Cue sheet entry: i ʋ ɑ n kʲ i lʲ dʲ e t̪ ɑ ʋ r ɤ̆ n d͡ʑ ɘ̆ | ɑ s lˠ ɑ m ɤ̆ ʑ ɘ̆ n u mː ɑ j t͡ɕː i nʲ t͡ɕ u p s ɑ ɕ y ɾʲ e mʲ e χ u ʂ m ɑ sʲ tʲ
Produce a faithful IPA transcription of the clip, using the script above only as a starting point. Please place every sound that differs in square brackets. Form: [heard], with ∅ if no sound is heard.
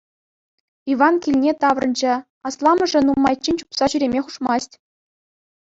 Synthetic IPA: i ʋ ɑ n kʲ i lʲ [nʲ] e t̪ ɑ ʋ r ɤ̆ n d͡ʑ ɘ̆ | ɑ s lˠ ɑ m ɤ̆ [ʐ] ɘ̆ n u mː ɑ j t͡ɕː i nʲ t͡ɕ u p s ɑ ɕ y ɾʲ e mʲ e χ u ʂ m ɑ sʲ tʲ